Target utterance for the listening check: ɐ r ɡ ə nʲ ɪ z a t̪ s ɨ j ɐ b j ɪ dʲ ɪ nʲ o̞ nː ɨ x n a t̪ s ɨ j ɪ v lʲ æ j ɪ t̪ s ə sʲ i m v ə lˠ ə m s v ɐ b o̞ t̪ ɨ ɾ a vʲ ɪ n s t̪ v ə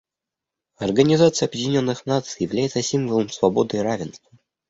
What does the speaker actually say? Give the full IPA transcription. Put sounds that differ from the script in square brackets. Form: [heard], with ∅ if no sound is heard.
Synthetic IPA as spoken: ɐ r ɡ ə nʲ ɪ z a t̪ s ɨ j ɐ b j ɪ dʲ ɪ nʲ o̞ nː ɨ x n a t̪ s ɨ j ɪ v lʲ æ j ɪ t̪ s ə sʲ i m v ə lˠ ə m s v ɐ b o̞ [d̪] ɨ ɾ a vʲ ɪ n s t̪ v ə